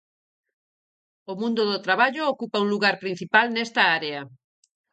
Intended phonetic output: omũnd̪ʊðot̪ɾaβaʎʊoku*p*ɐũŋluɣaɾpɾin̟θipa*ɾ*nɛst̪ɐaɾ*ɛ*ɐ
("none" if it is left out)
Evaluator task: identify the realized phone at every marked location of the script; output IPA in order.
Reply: p, l, e

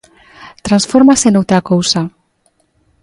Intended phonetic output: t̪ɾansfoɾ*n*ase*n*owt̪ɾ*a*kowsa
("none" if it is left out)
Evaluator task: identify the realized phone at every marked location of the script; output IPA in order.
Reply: m, n, a

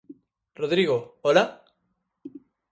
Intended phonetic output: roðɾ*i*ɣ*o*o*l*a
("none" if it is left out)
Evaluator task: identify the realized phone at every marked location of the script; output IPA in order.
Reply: i, o, l

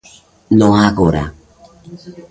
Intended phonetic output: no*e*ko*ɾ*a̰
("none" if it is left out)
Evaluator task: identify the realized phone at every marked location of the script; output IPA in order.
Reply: a, ɾ

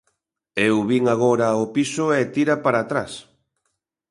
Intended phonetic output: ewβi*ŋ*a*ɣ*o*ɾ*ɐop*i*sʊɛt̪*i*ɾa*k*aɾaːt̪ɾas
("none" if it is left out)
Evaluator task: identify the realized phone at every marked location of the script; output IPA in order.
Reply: ŋ, ɣ, ɾ, i, i, p

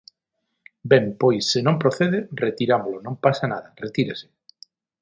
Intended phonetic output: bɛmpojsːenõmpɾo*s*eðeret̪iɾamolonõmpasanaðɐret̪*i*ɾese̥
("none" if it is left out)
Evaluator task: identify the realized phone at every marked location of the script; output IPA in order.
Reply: θ, i

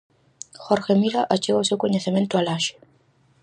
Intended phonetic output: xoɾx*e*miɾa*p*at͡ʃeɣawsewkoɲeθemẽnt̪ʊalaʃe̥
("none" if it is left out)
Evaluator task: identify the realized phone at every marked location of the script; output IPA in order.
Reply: e, ʔ

